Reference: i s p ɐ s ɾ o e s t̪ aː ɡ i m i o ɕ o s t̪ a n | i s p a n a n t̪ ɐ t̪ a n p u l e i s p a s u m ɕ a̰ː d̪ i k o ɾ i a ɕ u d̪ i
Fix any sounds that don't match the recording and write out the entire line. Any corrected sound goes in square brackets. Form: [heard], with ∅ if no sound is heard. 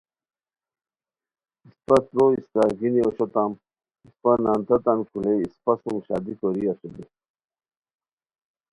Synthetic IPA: i s p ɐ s ɾ o [i] s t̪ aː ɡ i [n] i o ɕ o [∅] t̪ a [m] | i s p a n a n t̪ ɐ t̪ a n [k] u l e i s p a s u m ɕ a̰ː d̪ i k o ɾ i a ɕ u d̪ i